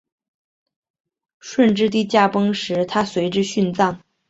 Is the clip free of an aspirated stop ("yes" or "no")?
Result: no